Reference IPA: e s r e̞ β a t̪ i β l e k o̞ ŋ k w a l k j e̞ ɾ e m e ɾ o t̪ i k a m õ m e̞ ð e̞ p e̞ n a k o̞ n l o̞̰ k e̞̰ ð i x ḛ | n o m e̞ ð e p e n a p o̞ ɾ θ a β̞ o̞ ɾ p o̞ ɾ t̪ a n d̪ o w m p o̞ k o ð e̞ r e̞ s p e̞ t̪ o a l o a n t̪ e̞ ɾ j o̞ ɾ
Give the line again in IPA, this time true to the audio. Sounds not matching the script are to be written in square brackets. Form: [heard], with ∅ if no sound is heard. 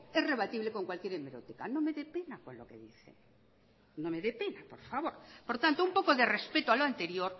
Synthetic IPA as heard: e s r e̞ β a t̪ i β l e k o̞ ŋ k w a l k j e̞ ɾ e m e ɾ o t̪ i k a [n] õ m e̞ ð e̞ p e̞ n a k o̞ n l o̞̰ k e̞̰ ð i [θ] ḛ | n o m e̞ ð e p e n a p o̞ ɾ [f] a β̞ o̞ ɾ p o̞ ɾ t̪ a n [t̪] o [u] m p o̞ k o ð e̞ r e̞ s p e̞ t̪ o a l o a n t̪ e̞ ɾ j o̞ ɾ